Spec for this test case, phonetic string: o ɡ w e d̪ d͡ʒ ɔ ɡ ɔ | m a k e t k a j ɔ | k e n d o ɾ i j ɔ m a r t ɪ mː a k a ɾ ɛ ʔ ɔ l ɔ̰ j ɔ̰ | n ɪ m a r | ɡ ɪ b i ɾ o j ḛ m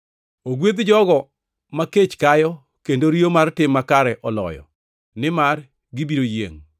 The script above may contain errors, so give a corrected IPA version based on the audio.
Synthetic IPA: o ɡ w e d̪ d͡ʒ ɔ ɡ ɔ | m a k e t͡ʃ k a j ɔ | k e n d o ɾ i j o m a r t ɪ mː a k a ɾ ɛ ʔ ɔ l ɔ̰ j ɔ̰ | n ɪ m a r | ɡ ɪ b i ɾ o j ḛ ŋ

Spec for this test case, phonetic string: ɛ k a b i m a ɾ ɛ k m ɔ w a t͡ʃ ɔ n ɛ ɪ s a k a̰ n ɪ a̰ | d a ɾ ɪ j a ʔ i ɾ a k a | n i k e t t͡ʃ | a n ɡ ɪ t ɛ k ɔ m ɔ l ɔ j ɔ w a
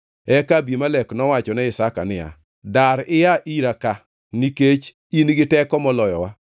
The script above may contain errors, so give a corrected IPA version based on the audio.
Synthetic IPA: ɛ k a b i m a l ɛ k n ɔ w a t͡ʃ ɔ n ɛ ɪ s a k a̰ n ɪ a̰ | d a ɾ ɪ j a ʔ i ɾ a k a | n i k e t͡ʃ | i n ɡ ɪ t ɛ k ɔ m ɔ l ɔ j ɔ w a

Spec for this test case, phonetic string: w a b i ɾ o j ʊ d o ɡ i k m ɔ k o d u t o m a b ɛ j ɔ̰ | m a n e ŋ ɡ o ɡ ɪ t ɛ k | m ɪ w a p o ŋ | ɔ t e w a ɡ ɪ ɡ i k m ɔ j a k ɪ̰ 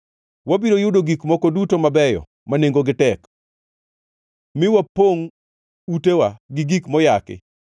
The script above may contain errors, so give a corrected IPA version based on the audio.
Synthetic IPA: w a b i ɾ o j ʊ d o ɡ i k m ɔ k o d u t o m a b ɛ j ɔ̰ | m a n e ŋ ɡ o ɡ ɪ t ɛ k | m ɪ w a p o ŋ | u t e w a ɡ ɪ ɡ i k m ɔ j a k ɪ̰

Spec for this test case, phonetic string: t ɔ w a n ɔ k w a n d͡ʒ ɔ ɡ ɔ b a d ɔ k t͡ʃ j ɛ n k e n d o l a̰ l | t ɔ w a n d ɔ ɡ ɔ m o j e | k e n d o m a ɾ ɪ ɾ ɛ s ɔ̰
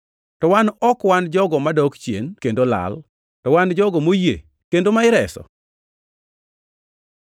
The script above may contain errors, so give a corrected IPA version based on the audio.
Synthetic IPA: t ɔ w a n ɔ k w a n d͡ʒ ɔ ɡ ɔ m a d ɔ k t͡ʃ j e n k e n d o l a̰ l | t ɔ w a n d͡ʒ ɔ ɡ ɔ m o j e | k e n d o m a ɪ ɾ ɛ s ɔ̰

